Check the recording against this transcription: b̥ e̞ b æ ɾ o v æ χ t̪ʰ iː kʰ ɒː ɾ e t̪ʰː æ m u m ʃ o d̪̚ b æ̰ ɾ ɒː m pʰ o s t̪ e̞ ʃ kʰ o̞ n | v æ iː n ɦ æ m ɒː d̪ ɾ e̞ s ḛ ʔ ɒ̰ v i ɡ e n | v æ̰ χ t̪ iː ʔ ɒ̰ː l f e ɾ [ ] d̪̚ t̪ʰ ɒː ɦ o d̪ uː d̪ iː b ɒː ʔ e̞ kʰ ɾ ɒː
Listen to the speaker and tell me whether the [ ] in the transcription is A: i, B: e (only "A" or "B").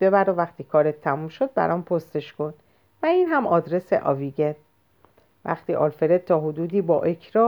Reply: B